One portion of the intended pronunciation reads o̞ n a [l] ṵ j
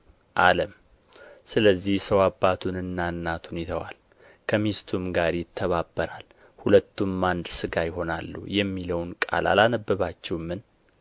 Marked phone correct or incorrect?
incorrect